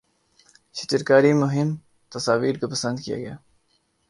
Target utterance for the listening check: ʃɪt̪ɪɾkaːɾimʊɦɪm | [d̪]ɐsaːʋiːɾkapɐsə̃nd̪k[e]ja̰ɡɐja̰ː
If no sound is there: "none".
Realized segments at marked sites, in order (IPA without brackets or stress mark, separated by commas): t̪, i